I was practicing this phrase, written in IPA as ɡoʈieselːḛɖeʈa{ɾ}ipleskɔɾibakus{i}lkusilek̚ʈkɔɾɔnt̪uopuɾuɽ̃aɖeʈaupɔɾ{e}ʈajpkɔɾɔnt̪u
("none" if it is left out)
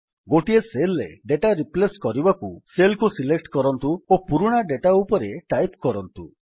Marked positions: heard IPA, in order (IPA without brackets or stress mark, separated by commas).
ɾ, e, e